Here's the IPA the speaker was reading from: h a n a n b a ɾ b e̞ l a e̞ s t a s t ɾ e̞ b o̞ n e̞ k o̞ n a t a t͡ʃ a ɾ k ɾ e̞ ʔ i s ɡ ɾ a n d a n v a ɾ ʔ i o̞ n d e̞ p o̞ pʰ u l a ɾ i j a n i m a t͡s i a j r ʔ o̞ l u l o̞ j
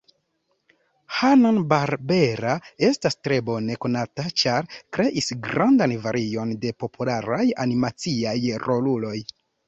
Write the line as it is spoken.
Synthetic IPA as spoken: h a n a n b a ɾ b e̞ ɾ a e̞ s t a s t ɾ e̞ b o̞ n e̞ k o̞ n a t a t͡ʃ a ɾ k ɾ e̞ ʔ i s ɡ ɾ a n d a n v a ɾ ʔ i o̞ n d e̞ p o̞ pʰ u l a ɾ a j a n i m a t͡s i a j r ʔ o̞ l u l o̞ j